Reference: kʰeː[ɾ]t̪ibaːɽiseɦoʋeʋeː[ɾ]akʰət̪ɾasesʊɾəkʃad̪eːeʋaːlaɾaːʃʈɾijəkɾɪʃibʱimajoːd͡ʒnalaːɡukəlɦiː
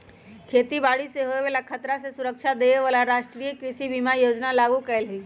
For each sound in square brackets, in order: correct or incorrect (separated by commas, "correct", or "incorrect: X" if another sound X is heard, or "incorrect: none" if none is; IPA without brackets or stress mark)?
incorrect: none, incorrect: l